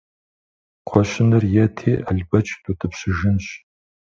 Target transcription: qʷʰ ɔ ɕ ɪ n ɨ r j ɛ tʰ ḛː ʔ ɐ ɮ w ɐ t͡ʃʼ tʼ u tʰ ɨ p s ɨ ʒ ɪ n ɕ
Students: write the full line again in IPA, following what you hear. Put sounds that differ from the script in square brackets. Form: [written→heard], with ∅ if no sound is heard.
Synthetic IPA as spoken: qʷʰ ɔ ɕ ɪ n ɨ r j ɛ tʰ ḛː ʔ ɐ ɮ [w→b] ɐ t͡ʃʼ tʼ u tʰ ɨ p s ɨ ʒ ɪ n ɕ